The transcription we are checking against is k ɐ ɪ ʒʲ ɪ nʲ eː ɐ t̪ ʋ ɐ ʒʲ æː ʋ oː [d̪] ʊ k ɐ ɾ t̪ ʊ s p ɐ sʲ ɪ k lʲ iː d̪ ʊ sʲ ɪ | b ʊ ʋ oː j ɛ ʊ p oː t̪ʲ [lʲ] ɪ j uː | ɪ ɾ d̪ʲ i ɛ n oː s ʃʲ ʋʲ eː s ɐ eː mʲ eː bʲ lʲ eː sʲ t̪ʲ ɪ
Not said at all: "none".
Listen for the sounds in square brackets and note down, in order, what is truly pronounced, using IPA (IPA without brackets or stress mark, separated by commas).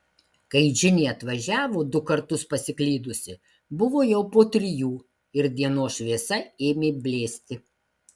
d̪, ɾʲ